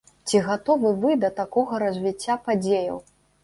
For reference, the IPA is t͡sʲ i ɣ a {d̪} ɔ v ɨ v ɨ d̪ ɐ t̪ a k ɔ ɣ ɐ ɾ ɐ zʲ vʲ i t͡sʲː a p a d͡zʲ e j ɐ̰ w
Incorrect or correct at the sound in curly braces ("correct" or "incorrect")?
incorrect